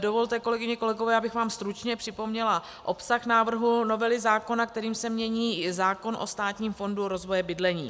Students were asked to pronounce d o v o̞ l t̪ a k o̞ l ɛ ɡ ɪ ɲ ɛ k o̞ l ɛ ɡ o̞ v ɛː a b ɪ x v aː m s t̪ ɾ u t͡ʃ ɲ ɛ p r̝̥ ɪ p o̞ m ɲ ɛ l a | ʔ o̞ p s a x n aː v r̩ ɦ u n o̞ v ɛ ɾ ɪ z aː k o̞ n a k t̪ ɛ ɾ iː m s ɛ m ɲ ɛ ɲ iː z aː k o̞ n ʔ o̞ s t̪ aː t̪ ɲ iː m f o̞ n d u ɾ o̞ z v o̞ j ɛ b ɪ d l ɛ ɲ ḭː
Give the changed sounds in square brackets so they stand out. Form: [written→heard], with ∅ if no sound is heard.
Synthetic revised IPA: d o v o̞ l t̪ [a→ɛ] k o̞ l ɛ ɡ ɪ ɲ ɛ k o̞ l ɛ ɡ o̞ v ɛː a b ɪ x v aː m s t̪ ɾ u t͡ʃ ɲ ɛ p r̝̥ ɪ p o̞ m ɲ ɛ l a | ʔ o̞ p s a x n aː v r̩ ɦ u n o̞ v ɛ [ɾ→l] ɪ z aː k o̞ n a k t̪ ɛ ɾ iː m s ɛ m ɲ ɛ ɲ iː z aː k o̞ n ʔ o̞ s t̪ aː t̪ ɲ iː m f o̞ n d u ɾ o̞ z v o̞ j ɛ b ɪ d l ɛ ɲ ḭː